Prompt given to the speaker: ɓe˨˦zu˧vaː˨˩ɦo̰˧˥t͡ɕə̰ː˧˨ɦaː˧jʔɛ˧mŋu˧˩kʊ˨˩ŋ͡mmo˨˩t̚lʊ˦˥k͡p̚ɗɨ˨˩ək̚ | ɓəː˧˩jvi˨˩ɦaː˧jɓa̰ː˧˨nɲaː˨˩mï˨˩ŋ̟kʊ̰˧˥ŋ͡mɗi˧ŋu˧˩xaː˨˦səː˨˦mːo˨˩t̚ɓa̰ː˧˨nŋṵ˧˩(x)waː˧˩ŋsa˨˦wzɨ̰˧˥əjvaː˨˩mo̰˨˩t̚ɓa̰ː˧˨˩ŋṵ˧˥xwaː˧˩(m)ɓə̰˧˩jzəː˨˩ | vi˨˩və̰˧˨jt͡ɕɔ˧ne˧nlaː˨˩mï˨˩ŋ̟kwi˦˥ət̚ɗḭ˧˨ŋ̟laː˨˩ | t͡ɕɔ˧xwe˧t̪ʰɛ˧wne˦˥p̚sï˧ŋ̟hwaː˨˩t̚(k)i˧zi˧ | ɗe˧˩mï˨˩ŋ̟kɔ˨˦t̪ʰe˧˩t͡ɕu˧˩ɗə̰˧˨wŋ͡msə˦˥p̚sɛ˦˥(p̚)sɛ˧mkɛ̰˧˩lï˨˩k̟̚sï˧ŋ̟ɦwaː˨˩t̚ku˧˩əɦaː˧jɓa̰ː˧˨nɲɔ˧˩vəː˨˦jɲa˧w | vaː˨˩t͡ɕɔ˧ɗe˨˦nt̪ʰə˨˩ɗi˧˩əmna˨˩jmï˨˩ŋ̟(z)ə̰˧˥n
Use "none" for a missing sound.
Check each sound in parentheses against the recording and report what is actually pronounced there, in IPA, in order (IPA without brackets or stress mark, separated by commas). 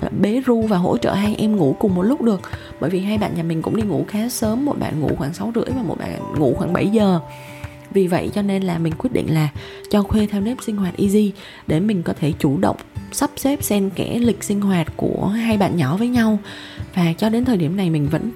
x, ŋ, ʔ, p̚, v